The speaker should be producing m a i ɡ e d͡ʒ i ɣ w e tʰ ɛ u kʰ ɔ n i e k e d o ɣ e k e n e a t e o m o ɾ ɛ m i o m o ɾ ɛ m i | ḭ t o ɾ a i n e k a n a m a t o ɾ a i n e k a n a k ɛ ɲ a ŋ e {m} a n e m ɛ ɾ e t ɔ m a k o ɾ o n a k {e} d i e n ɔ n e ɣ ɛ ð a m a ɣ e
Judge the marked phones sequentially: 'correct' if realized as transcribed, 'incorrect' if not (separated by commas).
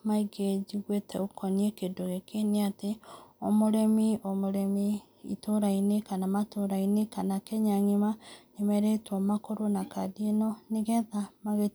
correct, incorrect